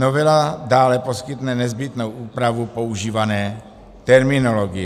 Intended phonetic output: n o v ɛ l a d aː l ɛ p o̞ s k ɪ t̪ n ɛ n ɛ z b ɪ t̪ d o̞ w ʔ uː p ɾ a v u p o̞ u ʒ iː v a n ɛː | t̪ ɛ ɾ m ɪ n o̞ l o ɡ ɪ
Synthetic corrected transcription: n o v ɛ l a d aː l ɛ p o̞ s k ɪ t̪ n ɛ n ɛ z b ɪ t̪ n o̞ w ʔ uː p ɾ a v u p o̞ u ʒ iː v a n ɛː | t̪ ɛ ɾ m ɪ n o̞ l o ɡ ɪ